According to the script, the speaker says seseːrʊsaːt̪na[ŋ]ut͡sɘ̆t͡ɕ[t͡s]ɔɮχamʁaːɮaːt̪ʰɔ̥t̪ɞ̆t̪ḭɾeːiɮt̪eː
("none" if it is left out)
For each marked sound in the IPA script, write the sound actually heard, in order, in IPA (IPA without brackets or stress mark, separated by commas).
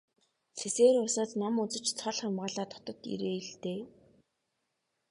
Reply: m, t͡sʰ